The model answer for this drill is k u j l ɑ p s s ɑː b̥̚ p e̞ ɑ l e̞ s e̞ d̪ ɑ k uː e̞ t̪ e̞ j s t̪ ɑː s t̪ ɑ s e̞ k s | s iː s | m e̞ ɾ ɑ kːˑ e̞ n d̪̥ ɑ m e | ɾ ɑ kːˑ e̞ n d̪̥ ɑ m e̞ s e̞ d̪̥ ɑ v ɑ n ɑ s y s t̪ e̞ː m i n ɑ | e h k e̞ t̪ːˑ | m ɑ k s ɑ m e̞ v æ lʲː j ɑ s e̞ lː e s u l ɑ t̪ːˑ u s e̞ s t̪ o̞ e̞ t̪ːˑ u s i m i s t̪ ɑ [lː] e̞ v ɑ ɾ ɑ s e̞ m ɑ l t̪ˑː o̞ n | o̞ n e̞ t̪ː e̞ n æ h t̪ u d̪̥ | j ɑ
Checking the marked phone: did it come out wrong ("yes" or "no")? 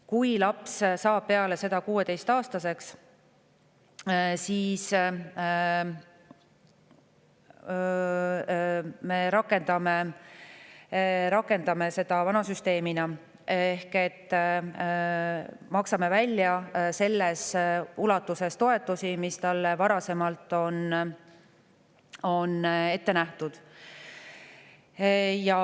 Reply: no